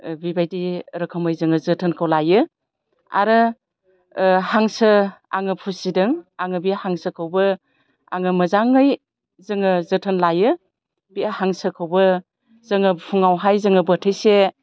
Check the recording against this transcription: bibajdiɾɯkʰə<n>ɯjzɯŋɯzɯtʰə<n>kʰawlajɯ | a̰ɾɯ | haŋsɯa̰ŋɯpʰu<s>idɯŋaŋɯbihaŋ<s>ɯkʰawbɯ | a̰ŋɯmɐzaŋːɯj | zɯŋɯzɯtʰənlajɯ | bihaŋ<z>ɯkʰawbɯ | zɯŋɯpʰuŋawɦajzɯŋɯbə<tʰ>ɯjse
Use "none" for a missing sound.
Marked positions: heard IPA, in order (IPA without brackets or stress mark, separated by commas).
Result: m, n, s, s, s, tʰ